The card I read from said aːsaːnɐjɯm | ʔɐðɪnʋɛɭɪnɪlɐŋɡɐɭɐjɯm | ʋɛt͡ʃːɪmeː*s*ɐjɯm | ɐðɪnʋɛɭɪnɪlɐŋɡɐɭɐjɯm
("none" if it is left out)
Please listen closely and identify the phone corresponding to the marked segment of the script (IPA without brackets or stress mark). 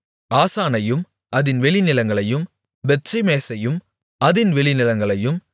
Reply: s